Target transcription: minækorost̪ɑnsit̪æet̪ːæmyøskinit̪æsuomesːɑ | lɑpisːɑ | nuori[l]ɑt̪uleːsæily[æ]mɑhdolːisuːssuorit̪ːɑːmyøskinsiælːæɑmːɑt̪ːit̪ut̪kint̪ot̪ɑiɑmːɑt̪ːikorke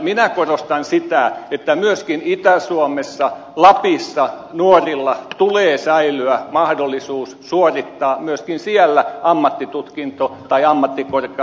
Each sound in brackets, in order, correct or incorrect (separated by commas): incorrect, correct